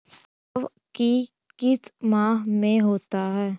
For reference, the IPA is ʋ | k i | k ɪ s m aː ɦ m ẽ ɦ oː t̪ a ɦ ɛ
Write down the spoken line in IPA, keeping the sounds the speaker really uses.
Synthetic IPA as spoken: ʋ | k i | k ɪ s m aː ɦ m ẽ ɦ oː t̪ a ɦ ɛː